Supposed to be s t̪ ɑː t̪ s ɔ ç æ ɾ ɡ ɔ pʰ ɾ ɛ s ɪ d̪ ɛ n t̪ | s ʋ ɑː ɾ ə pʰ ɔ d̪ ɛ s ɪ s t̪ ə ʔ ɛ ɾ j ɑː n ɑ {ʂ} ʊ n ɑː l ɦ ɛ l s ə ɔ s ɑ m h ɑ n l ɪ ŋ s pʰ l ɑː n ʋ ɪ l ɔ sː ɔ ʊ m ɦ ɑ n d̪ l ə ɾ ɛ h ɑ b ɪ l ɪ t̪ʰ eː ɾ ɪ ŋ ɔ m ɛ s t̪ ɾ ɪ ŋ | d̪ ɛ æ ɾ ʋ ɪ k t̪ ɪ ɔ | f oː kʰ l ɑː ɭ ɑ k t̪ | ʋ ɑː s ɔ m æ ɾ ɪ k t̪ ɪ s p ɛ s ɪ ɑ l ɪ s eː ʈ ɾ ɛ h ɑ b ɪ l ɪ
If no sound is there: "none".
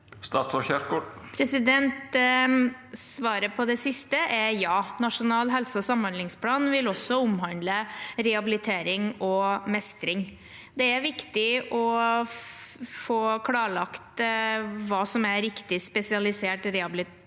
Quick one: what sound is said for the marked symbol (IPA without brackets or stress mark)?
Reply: ʂ